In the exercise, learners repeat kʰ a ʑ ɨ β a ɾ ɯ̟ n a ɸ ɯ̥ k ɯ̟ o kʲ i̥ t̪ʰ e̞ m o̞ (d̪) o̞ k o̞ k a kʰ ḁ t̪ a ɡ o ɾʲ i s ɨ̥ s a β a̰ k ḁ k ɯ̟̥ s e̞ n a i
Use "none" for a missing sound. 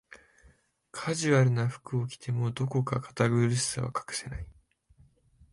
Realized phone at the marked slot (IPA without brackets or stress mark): d̪